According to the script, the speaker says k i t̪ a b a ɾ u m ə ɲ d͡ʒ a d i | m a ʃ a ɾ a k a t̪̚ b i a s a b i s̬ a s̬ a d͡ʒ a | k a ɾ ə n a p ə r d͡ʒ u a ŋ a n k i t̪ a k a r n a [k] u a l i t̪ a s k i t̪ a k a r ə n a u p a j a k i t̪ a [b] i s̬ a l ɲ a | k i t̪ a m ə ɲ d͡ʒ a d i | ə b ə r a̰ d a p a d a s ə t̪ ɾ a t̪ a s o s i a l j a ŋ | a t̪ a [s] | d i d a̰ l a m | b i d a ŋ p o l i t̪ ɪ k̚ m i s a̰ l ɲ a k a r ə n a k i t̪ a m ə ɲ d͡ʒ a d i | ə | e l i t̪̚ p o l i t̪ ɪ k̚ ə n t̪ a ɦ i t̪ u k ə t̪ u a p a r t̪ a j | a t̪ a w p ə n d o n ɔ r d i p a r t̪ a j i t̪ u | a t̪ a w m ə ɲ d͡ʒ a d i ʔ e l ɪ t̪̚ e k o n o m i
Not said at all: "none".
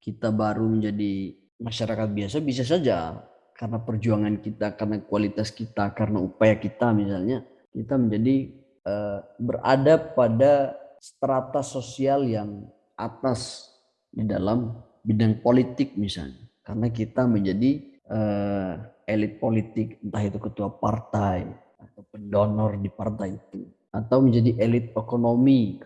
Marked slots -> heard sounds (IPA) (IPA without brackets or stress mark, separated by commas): k, m, s